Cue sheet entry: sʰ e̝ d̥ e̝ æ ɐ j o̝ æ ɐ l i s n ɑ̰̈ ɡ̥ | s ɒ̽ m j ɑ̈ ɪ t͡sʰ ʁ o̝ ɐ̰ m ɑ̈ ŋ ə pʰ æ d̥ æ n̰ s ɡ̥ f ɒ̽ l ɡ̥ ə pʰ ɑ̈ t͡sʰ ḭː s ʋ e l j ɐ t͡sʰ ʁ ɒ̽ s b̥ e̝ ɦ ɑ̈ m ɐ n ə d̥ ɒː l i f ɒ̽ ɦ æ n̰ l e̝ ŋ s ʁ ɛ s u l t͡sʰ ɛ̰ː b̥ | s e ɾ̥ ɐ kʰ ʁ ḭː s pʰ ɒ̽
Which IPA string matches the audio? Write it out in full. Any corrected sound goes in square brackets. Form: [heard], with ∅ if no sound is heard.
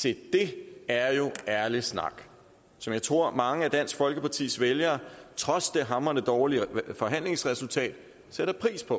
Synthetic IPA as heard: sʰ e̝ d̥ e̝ æ ɐ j o̝ æ ɐ l i s n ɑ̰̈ ɡ̥ | s ɒ̽ m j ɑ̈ ɪ t͡sʰ ʁ o̝ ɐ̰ m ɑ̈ ŋ ə [∅] æ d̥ æ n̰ s ɡ̥ f ɒ̽ l ɡ̥ ə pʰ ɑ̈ t͡sʰ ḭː s ʋ e l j ɐ t͡sʰ ʁ ɒ̽ s [d̥] e̝ ɦ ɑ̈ m ɐ n ə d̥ ɒː l i f ɒ̽ ɦ æ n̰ l e̝ ŋ s ʁ ɛ s u l t͡sʰ ɛ̰ː [d̥] | s e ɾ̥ ɐ [pʰ] ʁ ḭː s pʰ ɒ̽